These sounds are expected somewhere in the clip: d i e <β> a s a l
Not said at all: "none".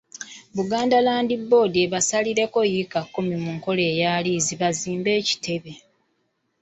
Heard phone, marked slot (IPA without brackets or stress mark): β